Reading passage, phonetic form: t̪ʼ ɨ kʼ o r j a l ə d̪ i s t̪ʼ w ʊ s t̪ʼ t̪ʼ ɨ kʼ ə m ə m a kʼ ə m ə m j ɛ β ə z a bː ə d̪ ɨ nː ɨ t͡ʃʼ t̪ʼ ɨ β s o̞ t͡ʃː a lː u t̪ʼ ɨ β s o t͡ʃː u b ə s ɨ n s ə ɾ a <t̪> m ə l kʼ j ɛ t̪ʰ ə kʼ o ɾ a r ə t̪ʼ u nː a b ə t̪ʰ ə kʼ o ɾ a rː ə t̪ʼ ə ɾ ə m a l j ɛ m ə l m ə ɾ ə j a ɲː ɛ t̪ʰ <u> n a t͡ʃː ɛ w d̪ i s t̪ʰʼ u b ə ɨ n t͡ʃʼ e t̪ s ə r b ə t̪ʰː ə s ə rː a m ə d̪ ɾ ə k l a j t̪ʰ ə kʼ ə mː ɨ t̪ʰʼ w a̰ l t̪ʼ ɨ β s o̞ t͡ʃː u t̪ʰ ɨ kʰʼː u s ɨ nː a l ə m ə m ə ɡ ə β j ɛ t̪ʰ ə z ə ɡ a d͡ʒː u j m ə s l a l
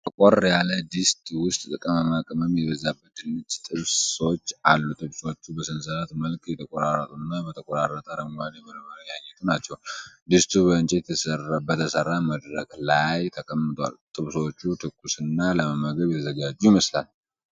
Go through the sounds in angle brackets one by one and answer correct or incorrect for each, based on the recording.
correct, correct

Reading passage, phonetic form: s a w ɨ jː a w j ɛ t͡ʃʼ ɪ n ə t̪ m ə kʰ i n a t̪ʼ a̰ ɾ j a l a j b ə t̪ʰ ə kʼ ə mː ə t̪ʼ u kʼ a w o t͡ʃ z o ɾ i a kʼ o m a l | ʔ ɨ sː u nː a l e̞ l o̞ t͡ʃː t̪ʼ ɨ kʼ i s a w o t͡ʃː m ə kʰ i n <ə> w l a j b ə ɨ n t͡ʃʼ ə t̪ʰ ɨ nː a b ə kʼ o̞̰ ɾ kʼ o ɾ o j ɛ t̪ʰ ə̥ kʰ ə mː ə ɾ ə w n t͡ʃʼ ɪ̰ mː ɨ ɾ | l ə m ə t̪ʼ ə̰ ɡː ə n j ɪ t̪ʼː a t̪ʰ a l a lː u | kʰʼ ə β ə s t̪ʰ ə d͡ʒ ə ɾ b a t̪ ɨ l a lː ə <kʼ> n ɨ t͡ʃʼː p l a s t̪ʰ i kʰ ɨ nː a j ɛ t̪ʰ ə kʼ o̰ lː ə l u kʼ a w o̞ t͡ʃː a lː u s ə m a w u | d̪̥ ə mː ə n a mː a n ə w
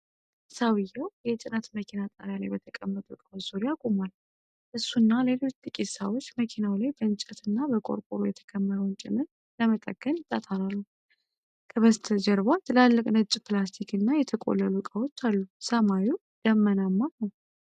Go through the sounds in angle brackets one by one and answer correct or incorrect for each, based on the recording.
incorrect, correct

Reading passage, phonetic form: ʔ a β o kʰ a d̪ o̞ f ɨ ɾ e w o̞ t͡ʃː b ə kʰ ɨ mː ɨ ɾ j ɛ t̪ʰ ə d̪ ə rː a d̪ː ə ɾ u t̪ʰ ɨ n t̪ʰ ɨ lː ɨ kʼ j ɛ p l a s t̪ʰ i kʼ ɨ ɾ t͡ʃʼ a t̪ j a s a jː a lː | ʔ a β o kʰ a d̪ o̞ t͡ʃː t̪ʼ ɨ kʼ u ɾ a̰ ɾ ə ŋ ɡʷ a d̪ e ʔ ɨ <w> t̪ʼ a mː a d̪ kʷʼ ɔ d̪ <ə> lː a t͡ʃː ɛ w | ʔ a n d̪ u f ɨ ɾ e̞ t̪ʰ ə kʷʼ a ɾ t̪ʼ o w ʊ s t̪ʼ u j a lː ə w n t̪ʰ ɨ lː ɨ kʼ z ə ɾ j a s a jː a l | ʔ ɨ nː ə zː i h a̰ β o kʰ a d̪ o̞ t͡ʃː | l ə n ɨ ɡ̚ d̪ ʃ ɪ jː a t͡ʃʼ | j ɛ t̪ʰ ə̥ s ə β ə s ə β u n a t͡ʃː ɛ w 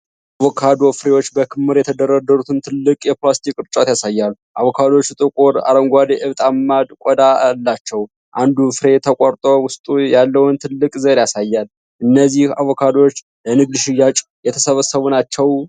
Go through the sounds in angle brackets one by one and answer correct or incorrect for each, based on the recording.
incorrect, incorrect

